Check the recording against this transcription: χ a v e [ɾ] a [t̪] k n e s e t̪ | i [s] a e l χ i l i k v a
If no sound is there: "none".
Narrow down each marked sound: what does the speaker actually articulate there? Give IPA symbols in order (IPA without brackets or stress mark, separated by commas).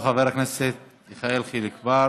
ɾ, none, χ